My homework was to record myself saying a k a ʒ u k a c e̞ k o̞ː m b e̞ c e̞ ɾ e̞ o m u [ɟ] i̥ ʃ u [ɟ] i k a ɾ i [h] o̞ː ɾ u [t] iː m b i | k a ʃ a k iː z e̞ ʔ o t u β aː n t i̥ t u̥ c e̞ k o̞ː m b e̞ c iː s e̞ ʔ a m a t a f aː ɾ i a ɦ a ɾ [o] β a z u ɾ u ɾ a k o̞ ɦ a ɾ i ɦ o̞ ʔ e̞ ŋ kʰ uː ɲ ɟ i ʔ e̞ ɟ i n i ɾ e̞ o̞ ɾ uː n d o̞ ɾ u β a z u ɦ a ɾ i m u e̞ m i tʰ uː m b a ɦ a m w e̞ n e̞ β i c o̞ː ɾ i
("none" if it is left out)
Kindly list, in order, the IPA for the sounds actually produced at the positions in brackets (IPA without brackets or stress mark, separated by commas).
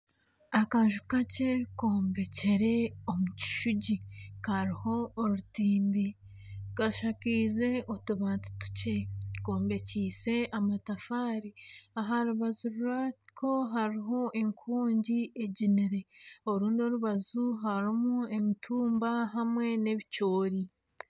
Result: c, ɟ, h, t, u